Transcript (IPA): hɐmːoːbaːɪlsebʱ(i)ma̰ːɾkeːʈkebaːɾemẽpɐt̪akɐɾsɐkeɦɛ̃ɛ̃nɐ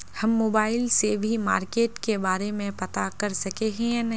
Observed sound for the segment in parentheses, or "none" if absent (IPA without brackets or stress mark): i